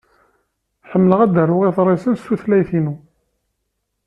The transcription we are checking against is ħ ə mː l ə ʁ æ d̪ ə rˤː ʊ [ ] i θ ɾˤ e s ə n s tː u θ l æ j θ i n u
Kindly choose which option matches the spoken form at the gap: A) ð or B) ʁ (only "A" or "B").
B